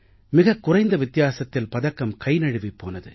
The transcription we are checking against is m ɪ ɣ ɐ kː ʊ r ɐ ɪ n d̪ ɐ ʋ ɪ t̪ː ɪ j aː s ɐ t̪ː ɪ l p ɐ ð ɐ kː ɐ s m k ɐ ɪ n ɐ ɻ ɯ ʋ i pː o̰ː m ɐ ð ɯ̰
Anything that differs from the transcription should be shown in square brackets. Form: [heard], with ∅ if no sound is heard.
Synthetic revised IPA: m ɪ ɣ ɐ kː ʊ r ɐ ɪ n d̪ ɐ ʋ ɪ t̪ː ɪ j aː s ɐ t̪ː ɪ l p ɐ ð ɐ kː ɐ [∅] m k ɐ ɪ n ɐ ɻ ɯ ʋ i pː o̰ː [n] ɐ ð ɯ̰